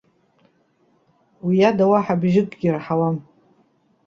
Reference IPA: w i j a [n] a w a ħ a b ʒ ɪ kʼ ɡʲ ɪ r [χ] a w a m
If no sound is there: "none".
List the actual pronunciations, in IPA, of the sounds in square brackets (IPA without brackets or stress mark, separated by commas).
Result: d, ħ